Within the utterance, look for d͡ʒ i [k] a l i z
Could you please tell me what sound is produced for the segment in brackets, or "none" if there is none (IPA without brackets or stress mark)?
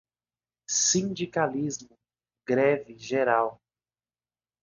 k